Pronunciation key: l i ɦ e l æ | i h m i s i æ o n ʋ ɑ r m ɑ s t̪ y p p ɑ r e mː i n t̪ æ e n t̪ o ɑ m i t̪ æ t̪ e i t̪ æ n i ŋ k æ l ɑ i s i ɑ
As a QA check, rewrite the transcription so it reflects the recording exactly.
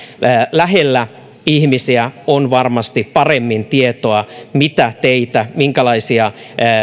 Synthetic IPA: l æ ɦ e lː æ | i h m i s i æ o n ʋ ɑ r m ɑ s t̪ i p p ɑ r e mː i n t̪ i e t̪ o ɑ m i t̪ æ t̪ e i t̪ æ m i ŋ k æ l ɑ i s i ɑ